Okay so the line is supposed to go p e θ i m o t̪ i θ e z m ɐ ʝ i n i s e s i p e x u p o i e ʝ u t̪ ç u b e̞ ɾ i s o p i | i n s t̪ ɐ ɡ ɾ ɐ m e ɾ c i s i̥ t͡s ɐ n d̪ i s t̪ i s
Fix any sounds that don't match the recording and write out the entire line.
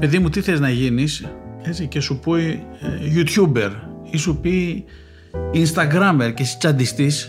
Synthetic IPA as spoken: p e ð i m u t̪ i θ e z n ɐ ʝ i n i s e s i c e s u p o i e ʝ u t̪ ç u b e̞ ɾ i s u p i | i n s t̪ ɐ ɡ ɾ ɐ m e ɾ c e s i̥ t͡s ɐ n d̪ i s t̪ i s